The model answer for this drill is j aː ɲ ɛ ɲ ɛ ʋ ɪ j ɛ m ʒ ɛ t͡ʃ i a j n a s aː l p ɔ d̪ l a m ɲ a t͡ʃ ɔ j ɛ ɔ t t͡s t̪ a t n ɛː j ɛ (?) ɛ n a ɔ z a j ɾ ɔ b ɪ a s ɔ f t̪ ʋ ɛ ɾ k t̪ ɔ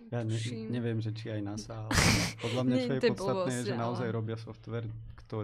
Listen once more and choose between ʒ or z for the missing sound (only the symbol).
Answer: ʒ